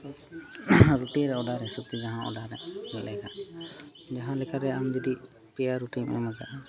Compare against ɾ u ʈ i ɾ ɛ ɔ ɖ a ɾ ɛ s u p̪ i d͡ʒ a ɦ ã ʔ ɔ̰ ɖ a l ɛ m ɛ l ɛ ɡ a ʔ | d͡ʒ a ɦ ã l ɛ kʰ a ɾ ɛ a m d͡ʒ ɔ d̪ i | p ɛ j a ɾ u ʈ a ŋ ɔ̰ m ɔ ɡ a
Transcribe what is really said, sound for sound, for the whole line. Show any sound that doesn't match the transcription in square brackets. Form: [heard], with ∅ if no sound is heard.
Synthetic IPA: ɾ u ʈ i ɾ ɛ ɔ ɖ a ɾ ɛ s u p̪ i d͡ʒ a ɦ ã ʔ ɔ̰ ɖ a [ɾ] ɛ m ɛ l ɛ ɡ a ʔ | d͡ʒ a ɦ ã l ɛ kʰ a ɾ ɛ a m d͡ʒ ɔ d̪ i | p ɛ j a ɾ u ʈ [i] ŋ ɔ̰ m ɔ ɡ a